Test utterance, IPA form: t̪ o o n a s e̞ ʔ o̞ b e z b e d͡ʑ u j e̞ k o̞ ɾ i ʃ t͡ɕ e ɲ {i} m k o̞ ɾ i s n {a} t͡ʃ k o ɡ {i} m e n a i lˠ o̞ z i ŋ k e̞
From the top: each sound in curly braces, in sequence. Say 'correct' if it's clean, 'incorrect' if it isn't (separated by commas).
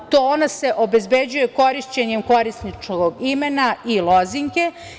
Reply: incorrect, incorrect, correct